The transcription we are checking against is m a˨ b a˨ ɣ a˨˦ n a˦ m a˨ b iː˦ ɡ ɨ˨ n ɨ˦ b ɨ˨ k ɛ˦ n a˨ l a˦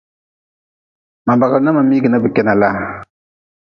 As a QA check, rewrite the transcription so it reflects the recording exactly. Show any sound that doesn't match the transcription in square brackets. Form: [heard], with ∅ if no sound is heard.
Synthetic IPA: m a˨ b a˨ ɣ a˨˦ n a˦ m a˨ [m] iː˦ ɡ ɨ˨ n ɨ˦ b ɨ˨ k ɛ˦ n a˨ l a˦